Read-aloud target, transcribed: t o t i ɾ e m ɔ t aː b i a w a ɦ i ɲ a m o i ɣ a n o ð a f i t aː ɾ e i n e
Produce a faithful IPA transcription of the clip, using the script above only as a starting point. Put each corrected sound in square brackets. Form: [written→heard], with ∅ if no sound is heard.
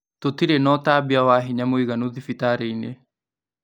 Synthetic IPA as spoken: t o t i ɾ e [m→n] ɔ t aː b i a w a ɦ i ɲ a m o i ɣ a n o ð [a→i] f i t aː ɾ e i n e

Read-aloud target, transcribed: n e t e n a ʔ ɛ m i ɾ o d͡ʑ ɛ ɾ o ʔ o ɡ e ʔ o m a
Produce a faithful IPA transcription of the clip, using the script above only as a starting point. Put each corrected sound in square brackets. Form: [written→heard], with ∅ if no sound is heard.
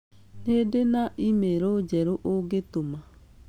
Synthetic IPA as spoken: n e [t→d] e n a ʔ [ɛ→i] m [i→e] ɾ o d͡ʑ ɛ ɾ o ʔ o ɡ e [ʔ→t] o m a

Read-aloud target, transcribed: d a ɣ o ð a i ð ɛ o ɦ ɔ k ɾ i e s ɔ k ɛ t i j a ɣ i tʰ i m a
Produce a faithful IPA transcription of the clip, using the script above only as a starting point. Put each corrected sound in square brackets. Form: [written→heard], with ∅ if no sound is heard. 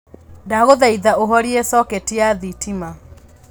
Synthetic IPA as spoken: d a ɣ o ð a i ð [ɛ→a] o ɦ ɔ [k→∅] ɾ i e s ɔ k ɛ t i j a [ɣ→ð] i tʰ i m a

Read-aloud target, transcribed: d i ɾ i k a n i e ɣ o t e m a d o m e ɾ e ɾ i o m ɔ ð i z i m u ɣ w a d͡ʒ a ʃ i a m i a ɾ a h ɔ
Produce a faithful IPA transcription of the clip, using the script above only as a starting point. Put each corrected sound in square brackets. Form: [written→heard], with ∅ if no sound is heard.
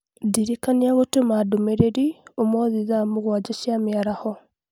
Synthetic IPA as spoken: d i ɾ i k a n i [e→a] ɣ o t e m a d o m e ɾ e ɾ i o m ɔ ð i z [i→a] m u ɣ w a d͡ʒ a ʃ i a m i a ɾ a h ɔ

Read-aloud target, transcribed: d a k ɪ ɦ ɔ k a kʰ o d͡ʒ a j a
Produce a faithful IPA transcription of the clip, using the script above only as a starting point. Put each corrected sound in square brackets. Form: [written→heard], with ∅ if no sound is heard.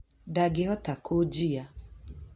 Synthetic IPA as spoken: d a [k→ɡ] ɪ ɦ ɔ [k→t] a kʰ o d͡ʒ [a→i] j a

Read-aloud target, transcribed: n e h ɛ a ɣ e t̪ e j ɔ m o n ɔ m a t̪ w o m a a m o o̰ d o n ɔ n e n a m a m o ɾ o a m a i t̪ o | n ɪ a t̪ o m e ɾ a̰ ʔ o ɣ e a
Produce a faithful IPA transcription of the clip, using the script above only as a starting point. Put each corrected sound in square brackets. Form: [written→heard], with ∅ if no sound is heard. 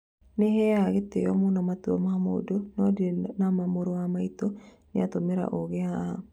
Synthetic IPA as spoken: n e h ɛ a ɣ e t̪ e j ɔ m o n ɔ m a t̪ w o m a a m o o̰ d o n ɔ [n→d] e n a m a m o ɾ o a m a i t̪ o | n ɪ a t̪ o m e ɾ a̰ ʔ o ɣ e a

